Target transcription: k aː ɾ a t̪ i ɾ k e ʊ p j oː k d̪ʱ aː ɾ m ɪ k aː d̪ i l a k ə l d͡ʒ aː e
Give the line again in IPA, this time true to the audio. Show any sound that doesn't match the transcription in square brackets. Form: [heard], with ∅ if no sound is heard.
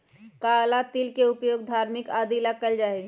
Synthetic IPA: k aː [l] a t̪ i [l] k e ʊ p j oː [ɡ] d̪ʱ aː ɾ m ɪ k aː d̪ i l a k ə l d͡ʒ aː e